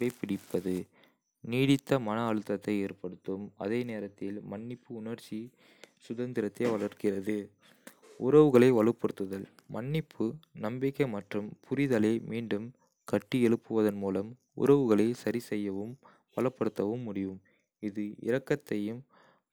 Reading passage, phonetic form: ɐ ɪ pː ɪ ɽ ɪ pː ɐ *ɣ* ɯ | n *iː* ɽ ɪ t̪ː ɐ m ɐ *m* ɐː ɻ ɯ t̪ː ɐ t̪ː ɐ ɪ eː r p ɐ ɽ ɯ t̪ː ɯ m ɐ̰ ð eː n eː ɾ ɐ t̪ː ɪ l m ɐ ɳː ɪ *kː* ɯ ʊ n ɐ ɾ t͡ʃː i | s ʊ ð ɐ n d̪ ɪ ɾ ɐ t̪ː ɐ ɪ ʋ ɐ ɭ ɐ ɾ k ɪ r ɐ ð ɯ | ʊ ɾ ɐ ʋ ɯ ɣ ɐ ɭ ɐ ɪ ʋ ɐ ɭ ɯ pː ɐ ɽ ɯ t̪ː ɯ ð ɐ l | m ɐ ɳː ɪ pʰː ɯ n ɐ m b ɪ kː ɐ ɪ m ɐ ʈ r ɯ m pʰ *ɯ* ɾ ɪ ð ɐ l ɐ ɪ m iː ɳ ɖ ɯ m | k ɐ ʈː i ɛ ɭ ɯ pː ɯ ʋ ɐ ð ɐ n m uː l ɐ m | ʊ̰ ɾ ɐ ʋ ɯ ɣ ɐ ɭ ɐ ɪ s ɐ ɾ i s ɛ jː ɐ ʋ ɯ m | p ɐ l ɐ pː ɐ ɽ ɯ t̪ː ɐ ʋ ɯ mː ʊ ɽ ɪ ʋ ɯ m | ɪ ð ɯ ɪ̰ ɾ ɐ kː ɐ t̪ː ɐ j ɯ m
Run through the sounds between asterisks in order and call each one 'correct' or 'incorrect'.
incorrect, correct, incorrect, incorrect, incorrect

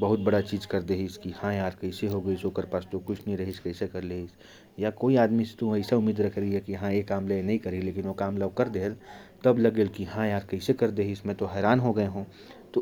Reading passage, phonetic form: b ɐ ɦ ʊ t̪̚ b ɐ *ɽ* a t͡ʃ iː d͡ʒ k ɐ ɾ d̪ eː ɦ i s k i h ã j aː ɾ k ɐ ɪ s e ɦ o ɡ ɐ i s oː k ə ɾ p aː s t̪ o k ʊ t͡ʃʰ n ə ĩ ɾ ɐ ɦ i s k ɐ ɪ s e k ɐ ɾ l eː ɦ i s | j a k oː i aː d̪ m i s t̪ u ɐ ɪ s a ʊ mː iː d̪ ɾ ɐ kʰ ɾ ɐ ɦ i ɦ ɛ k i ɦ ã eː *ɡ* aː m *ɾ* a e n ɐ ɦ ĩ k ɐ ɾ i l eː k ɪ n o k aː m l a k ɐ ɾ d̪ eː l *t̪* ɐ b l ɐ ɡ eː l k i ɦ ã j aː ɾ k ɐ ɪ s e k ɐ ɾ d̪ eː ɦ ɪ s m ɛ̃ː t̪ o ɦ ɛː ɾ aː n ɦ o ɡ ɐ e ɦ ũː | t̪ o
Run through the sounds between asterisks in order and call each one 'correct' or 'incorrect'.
correct, incorrect, incorrect, correct

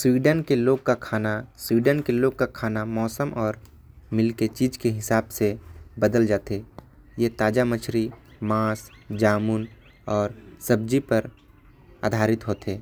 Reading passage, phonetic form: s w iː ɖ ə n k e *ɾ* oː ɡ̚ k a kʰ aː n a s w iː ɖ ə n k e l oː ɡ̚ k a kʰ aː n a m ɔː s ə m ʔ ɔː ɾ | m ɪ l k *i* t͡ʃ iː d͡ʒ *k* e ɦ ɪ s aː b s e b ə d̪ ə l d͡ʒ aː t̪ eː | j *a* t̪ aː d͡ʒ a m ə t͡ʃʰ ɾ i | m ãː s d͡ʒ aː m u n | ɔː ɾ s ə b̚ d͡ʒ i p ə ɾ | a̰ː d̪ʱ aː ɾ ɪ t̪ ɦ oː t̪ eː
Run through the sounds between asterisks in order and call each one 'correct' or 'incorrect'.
incorrect, incorrect, correct, incorrect

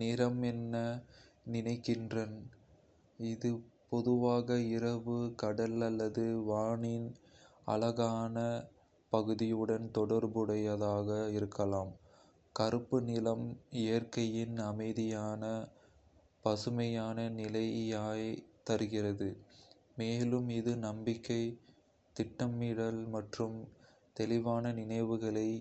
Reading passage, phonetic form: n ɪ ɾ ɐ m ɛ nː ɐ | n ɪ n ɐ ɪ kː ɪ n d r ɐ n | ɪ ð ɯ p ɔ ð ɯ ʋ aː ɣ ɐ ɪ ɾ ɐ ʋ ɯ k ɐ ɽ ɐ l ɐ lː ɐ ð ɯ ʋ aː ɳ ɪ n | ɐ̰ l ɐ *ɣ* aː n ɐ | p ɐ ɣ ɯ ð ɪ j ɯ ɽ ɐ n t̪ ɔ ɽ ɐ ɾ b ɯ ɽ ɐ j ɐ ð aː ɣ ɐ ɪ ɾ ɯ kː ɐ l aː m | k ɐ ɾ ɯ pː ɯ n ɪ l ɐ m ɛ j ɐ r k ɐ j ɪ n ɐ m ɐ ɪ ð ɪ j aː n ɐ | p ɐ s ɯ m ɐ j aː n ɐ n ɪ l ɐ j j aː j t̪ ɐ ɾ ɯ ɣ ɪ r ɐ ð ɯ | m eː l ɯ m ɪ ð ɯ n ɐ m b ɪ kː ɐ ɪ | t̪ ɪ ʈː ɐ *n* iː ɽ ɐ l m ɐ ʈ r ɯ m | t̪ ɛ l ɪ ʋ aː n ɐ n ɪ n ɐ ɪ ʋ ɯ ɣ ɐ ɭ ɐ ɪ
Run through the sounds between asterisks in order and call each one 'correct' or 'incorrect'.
correct, incorrect

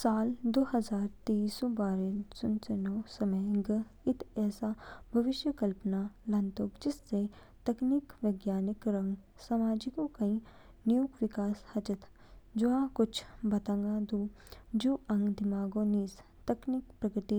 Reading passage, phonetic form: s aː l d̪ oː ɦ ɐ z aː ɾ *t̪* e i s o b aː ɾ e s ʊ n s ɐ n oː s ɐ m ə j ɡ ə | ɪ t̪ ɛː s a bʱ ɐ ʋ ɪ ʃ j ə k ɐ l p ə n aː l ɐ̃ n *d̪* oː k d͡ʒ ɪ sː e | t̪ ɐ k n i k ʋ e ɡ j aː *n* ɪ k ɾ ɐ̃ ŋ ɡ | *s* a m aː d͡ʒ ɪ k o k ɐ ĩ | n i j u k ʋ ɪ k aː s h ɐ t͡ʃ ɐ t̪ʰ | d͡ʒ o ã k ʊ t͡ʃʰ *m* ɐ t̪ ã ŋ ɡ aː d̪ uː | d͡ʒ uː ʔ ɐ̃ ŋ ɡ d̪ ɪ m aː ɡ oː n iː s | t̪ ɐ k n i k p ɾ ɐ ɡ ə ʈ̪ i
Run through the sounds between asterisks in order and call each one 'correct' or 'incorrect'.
correct, incorrect, correct, correct, incorrect

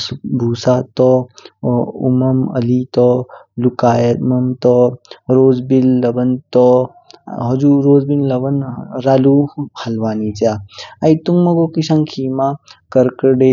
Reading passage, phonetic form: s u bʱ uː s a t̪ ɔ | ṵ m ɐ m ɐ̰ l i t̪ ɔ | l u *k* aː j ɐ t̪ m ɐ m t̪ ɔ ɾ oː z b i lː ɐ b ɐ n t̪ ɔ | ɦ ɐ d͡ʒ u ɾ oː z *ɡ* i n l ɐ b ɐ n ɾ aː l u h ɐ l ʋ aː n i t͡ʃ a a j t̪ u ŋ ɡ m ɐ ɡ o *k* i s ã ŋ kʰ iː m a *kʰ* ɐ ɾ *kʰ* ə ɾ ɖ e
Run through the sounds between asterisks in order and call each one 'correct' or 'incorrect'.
correct, incorrect, correct, incorrect, incorrect

